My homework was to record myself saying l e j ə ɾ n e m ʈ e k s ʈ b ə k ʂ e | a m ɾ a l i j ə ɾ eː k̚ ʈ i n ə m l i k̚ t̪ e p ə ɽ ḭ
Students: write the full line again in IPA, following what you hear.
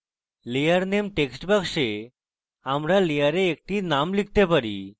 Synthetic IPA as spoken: l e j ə ɾ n e m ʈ e k s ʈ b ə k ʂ e | a m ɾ a l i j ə ɾ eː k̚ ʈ i n a m l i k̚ t̪ e p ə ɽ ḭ